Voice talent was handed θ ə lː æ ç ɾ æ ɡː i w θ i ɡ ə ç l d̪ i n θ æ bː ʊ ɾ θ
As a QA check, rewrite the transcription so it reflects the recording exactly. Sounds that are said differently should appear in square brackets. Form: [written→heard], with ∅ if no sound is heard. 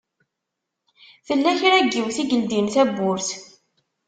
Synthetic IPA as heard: θ ə lː æ ç ɾ æ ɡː i w θ i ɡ ə [ç→∅] l d̪ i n θ æ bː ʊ ɾ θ